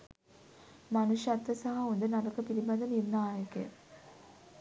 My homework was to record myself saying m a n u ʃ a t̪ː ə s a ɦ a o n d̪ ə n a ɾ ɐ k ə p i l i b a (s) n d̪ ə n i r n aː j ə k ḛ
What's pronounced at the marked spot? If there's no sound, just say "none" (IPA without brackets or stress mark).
none